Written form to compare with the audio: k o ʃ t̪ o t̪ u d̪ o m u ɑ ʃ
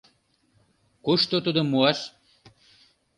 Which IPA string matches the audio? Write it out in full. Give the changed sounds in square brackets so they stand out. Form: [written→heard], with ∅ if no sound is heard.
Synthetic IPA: k [o→u] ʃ t̪ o t̪ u d̪ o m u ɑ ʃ